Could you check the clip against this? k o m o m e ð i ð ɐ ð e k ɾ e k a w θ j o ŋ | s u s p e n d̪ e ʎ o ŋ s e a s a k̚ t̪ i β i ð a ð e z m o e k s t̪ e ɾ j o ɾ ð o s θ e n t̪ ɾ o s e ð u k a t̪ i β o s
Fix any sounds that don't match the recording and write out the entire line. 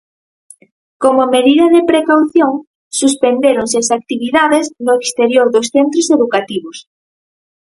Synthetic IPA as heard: k o m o m e ð i ð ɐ ð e p ɾ e k a w θ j o ŋ | s u s p e n d̪ e ɾ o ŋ s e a s a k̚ t̪ i β i ð a ð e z n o e k s t̪ e ɾ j o ɾ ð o s θ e n t̪ ɾ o s e ð u k a t̪ i β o s